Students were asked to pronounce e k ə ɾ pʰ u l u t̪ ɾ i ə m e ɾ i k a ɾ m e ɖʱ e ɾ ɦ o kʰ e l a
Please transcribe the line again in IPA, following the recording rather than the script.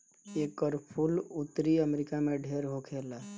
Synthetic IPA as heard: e k ə ɾ pʰ u l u t̪ ɾ i ə m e ɾ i k a m e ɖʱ e ɾ ɦ o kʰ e l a